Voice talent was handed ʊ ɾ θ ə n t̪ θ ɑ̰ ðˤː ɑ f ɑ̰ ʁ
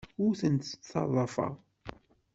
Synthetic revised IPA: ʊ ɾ θ ə n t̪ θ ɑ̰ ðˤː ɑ f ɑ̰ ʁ